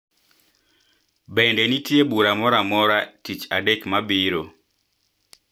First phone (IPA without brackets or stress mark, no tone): b